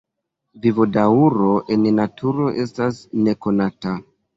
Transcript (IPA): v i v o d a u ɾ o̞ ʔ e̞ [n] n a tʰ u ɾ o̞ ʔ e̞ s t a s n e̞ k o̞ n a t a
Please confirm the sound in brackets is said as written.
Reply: yes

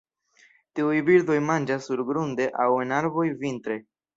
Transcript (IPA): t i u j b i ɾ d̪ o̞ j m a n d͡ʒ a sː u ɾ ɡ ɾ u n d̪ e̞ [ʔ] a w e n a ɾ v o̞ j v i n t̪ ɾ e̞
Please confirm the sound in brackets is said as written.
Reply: yes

